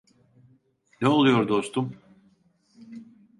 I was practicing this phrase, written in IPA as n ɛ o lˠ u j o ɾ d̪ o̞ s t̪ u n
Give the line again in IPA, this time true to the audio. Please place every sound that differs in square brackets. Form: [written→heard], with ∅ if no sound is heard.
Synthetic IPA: n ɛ o lˠ u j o ɾ d̪ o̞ s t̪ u [n→m]